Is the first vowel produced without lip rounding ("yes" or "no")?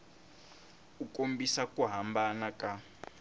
no